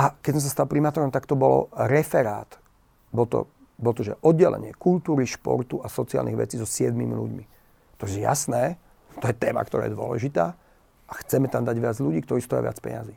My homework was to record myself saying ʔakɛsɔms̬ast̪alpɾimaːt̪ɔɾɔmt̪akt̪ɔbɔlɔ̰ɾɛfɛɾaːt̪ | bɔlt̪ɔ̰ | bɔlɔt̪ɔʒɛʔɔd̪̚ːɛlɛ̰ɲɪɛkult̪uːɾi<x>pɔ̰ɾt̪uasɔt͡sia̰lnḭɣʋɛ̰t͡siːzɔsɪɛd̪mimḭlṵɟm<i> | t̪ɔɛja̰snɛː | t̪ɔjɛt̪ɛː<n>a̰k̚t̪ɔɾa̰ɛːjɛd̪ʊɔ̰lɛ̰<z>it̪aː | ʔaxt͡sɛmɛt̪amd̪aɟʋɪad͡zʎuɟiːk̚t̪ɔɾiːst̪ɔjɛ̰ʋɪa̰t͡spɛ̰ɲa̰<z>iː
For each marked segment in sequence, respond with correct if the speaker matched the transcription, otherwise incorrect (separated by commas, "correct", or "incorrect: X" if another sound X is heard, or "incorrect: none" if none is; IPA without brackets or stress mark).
incorrect: ʃ, correct, incorrect: m, incorrect: ʒ, correct